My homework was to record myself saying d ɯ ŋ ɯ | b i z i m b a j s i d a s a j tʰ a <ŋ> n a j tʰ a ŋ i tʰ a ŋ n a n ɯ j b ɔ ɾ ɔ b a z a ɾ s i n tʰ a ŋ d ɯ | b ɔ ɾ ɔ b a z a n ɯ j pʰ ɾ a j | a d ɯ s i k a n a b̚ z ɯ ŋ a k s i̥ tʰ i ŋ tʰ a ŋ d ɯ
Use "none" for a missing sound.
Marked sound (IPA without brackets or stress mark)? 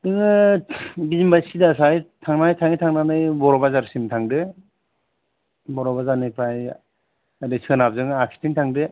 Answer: ŋ